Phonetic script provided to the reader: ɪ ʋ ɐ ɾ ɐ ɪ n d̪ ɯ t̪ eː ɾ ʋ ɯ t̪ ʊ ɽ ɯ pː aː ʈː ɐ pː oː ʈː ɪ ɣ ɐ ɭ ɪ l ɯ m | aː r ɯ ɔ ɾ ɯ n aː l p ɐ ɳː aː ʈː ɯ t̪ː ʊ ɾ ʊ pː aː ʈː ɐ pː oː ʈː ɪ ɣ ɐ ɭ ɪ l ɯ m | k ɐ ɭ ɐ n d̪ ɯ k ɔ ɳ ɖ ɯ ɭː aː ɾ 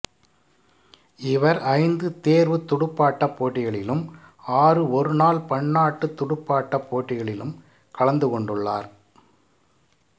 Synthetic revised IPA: ɪ ʋ ɐ ɾ ɐ ɪ n d̪ ɯ t̪ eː ɾ ʋ ɯ t̪ ʊ ɽ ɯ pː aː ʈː ɐ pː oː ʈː ɪ ɣ ɐ ɭ ɪ l ɯ m | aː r ɯ ɔ ɾ ɯ n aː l p ɐ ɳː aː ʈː ɯ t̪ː ʊ ɽ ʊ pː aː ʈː ɐ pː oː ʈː ɪ ɣ ɐ ɭ ɪ l ɯ m | k ɐ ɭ ɐ n d̪ ɯ k ɔ ɳ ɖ ɯ ɭː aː ɾ